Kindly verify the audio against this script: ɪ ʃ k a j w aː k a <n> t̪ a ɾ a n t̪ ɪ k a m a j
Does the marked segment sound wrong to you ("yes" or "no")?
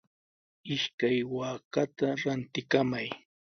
yes